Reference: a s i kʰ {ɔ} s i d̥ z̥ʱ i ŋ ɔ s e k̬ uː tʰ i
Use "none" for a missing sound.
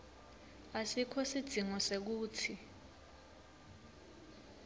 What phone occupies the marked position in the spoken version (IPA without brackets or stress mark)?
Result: ɔ